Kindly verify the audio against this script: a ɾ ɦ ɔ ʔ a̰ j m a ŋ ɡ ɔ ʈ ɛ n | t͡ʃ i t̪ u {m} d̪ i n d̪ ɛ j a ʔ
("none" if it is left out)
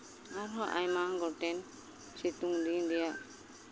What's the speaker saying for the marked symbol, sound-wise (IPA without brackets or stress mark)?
ŋ